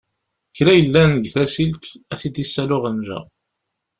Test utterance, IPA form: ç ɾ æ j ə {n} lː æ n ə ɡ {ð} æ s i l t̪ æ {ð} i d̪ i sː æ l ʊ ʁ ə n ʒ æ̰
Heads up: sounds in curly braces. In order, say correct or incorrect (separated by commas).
incorrect, incorrect, incorrect